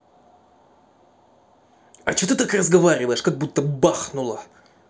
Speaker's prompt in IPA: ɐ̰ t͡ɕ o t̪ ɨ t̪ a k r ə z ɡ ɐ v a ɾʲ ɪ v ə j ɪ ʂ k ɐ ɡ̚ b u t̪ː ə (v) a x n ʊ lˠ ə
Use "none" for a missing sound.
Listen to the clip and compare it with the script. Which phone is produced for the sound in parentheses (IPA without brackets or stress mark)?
b